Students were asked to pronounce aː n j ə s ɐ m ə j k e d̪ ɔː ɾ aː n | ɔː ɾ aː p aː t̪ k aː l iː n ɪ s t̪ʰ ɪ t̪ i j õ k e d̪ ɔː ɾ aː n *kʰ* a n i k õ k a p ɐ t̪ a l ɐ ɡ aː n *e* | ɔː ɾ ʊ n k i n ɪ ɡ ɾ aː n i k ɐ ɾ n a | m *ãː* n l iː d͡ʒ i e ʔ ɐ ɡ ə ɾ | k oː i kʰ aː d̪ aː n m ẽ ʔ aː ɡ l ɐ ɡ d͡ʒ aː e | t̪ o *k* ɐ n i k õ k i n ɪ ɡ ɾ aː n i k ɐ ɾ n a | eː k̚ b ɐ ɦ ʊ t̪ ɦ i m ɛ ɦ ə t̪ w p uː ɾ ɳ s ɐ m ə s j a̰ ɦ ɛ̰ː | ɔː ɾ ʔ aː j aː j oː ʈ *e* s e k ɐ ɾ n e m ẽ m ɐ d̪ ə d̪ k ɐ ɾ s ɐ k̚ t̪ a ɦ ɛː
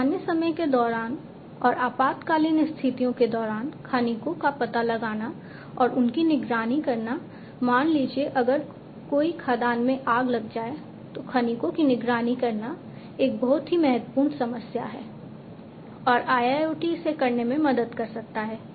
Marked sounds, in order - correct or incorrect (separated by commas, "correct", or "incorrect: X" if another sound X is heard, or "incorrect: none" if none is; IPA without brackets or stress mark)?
correct, incorrect: a, incorrect: aː, incorrect: kʰ, incorrect: i